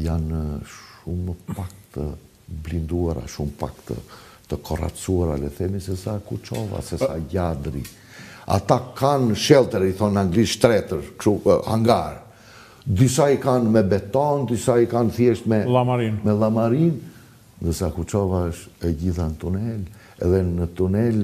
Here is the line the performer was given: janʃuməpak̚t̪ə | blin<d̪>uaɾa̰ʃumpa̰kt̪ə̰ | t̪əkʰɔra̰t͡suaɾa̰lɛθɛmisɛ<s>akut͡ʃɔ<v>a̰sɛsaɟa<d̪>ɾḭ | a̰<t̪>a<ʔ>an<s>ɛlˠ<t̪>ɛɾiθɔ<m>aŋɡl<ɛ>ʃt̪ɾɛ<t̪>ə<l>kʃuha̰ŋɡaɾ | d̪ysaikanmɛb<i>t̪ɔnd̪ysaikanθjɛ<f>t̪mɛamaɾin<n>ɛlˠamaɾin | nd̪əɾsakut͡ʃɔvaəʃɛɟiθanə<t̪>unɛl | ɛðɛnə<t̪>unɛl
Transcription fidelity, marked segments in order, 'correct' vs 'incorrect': correct, correct, correct, correct, correct, incorrect: k, incorrect: ʃ, correct, incorrect: n, incorrect: i, correct, incorrect: ɾ, incorrect: ɛ, incorrect: ʃ, incorrect: m, correct, correct

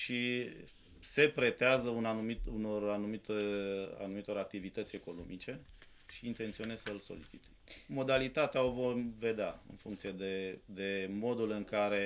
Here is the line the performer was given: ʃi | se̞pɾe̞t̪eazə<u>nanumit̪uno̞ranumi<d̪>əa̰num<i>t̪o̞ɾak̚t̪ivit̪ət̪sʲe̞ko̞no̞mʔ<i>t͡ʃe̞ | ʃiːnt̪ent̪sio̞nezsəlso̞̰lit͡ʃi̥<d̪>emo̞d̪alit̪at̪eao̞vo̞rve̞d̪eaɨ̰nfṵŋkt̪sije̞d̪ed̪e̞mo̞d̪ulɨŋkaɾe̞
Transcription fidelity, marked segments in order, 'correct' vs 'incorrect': correct, incorrect: t̪, correct, correct, incorrect: t̪

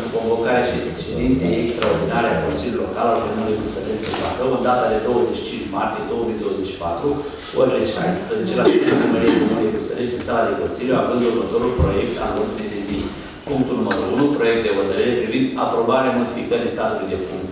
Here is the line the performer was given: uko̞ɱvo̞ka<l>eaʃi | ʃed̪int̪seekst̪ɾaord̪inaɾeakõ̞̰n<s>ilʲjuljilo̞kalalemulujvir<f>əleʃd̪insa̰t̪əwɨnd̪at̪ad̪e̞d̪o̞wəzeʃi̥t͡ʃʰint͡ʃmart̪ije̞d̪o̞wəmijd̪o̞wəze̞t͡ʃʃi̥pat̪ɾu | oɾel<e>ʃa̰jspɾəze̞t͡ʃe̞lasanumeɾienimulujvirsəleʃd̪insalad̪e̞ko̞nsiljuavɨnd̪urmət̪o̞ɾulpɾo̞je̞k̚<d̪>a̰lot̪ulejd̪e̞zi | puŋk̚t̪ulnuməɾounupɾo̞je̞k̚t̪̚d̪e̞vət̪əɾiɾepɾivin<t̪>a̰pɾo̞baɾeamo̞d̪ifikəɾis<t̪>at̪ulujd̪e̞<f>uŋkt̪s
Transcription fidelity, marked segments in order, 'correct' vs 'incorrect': incorrect: ɾ, correct, incorrect: s, correct, incorrect: t̪, incorrect: d̪, correct, correct

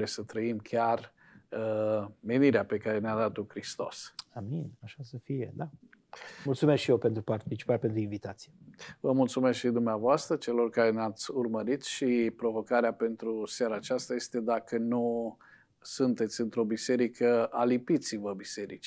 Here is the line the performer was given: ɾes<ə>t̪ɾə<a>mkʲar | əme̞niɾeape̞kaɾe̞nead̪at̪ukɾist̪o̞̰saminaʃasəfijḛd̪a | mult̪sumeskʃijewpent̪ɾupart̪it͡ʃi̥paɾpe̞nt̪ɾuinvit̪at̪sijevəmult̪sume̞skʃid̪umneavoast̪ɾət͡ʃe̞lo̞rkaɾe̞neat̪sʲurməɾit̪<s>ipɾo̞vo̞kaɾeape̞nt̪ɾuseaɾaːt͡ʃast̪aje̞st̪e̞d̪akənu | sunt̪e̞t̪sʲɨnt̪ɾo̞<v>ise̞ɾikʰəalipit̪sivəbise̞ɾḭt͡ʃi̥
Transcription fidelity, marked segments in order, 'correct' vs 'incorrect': correct, incorrect: i, incorrect: ʃ, incorrect: b

